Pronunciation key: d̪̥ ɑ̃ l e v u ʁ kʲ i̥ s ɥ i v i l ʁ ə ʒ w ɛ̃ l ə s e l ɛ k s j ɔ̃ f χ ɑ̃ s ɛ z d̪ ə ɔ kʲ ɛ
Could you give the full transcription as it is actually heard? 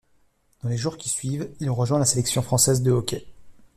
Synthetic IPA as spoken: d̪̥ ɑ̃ l e ʒ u ʁ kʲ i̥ s ɥ i v i l ʁ ə ʒ w ɛ̃ l a s e l ɛ k s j ɔ̃ f χ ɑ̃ s ɛ z d̪ ə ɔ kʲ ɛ